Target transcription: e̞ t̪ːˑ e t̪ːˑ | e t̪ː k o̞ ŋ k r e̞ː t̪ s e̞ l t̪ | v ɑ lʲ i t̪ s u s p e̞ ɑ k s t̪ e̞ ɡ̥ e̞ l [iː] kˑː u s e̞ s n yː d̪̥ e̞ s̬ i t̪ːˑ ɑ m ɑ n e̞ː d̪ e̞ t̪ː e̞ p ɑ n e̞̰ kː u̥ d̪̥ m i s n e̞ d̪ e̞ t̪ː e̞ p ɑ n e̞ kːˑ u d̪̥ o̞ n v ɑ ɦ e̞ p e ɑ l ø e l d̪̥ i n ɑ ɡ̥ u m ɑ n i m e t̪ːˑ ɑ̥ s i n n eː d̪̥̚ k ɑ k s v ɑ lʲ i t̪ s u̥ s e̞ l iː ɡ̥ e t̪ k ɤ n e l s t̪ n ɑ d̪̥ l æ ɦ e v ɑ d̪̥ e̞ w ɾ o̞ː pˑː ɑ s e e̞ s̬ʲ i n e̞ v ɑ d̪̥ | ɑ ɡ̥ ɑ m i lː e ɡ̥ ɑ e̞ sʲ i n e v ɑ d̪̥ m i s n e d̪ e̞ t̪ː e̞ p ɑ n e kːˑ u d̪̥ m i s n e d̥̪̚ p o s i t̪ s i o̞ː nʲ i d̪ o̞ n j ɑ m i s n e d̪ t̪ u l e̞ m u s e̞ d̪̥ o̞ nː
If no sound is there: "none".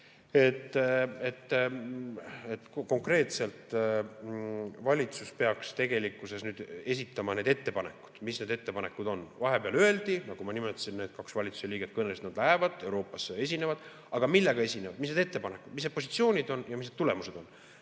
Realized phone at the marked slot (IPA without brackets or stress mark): i